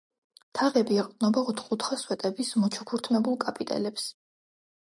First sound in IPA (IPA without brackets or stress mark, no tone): t̪ʰ